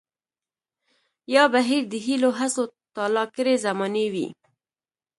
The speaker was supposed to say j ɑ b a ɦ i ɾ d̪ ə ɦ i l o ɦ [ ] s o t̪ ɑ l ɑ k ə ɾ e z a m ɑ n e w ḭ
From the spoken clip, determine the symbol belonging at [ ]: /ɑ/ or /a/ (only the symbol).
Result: a